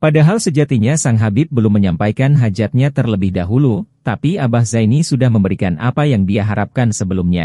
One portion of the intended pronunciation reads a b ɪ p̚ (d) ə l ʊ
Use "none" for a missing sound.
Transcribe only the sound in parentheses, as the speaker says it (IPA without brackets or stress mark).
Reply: b